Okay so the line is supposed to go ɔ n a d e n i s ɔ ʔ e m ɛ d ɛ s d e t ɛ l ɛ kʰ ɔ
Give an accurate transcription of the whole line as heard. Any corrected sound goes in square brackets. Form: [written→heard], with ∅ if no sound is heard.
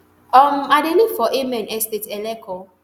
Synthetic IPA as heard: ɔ [n→m] a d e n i [s→f] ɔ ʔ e m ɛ [d→n] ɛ s [d→t] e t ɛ l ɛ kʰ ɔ